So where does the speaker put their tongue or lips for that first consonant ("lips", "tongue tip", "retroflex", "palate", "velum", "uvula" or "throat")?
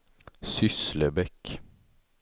tongue tip